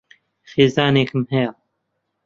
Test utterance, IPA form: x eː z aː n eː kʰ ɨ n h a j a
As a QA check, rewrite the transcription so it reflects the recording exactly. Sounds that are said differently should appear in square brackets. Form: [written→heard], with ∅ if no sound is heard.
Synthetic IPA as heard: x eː z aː n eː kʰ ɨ [n→m] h [a→ɛ] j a